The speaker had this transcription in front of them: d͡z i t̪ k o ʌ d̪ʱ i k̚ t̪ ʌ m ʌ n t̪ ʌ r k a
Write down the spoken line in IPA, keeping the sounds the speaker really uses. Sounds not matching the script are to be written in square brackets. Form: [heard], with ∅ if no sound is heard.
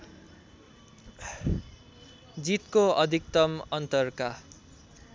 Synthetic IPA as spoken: d͡z i t̪ k o ʌ d̪ʱ i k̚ t̪ ʌ m ʌ n t̪ ʌ r k a